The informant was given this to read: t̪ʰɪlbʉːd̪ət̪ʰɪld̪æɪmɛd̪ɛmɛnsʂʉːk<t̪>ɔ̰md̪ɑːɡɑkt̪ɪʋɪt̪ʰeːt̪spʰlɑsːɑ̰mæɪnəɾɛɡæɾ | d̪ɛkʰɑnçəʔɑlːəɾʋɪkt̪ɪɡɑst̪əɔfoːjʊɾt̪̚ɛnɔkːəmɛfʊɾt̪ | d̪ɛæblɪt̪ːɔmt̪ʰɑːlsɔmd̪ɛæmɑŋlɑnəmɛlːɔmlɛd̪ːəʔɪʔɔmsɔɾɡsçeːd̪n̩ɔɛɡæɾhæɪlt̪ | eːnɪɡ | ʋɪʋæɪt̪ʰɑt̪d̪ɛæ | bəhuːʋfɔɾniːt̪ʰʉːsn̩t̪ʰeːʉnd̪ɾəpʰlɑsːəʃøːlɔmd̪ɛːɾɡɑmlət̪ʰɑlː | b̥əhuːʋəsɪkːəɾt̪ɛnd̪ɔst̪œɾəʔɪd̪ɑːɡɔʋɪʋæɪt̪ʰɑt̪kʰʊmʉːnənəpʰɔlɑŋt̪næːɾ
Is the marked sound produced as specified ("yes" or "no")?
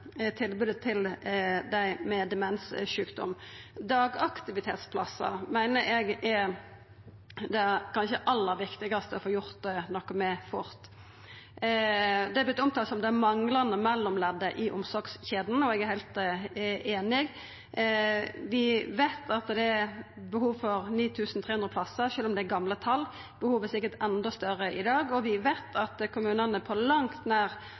no